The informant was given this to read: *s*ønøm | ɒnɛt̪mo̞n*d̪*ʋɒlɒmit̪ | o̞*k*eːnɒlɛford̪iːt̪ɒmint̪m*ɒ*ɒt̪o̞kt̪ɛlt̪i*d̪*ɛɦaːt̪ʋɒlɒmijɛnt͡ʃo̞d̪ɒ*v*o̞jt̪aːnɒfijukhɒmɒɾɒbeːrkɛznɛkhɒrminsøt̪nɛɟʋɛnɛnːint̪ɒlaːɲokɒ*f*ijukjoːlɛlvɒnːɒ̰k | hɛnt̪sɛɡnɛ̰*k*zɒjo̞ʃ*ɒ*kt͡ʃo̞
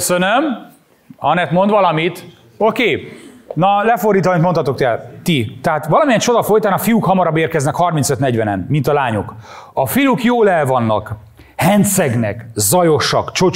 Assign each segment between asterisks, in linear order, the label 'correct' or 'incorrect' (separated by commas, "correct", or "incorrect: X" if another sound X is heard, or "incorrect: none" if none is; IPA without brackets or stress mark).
correct, correct, correct, incorrect: o, incorrect: t̪, incorrect: f, correct, correct, correct